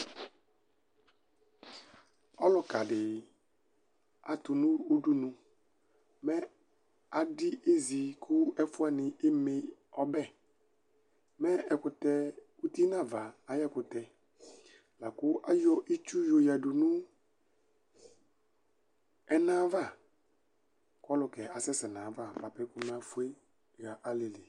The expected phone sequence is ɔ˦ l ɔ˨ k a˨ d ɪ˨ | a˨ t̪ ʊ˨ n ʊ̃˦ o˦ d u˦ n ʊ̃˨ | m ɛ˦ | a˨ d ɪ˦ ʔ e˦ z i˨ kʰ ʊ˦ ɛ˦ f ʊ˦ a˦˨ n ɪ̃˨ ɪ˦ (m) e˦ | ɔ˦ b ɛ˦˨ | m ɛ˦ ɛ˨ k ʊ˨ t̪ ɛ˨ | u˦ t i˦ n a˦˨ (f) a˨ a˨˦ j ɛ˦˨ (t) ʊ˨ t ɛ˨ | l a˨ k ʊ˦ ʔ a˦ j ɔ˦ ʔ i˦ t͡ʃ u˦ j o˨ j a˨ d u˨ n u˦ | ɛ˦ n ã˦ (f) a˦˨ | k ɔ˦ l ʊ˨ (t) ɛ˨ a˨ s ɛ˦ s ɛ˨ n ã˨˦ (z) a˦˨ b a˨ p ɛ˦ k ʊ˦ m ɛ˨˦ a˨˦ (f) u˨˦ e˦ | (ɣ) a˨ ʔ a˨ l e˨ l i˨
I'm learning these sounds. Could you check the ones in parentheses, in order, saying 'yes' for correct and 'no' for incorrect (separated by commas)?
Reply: yes, no, no, no, no, no, yes, yes